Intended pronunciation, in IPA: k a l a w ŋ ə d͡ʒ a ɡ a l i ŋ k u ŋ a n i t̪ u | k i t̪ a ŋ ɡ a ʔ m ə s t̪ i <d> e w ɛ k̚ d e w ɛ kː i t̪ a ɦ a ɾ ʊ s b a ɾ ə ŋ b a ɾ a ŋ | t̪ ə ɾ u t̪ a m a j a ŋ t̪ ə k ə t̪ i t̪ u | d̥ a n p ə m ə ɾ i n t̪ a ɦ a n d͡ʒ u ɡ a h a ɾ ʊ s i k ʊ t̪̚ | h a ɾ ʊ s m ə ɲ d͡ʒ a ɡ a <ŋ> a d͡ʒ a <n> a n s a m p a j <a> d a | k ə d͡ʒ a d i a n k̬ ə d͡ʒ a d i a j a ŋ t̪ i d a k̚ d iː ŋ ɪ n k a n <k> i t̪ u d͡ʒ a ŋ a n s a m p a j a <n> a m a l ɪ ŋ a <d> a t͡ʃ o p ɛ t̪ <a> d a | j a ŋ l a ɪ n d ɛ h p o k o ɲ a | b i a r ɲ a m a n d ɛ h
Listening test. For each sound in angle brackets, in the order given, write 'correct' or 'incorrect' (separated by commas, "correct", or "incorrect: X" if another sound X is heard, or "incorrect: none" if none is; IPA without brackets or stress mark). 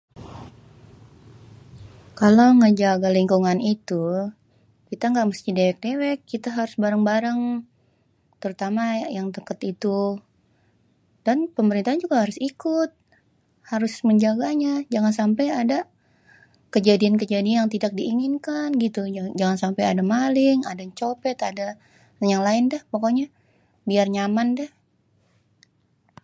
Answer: correct, incorrect: ɲ, incorrect: ŋ, correct, incorrect: ɡ, incorrect: d, correct, correct